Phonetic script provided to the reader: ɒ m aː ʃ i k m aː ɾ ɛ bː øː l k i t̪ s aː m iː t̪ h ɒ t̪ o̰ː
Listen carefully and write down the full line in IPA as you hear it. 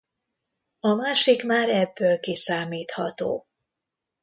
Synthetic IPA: ɒ m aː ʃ i k m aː ɾ ɛ bː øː l k i s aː m iː t̪ h ɒ t̪ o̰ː